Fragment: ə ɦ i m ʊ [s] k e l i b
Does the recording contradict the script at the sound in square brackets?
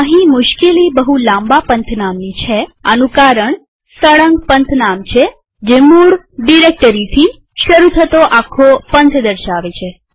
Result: yes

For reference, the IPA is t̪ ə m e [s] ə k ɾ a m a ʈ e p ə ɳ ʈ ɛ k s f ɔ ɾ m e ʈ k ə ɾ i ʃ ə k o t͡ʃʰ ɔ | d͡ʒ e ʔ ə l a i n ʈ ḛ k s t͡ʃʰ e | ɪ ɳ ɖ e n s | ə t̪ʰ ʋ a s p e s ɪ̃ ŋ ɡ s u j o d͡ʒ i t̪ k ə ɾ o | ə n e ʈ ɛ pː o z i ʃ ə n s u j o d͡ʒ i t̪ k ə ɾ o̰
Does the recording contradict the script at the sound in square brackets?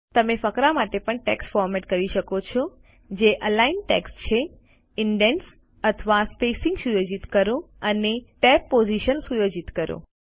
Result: yes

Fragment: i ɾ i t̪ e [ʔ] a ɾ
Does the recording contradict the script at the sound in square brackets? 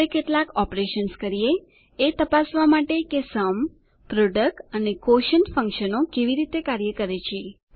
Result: yes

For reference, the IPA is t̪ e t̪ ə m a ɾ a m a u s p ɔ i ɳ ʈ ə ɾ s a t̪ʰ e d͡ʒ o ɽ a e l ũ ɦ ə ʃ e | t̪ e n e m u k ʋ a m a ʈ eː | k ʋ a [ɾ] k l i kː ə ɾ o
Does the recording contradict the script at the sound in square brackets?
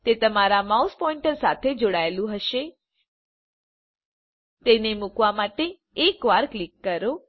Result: no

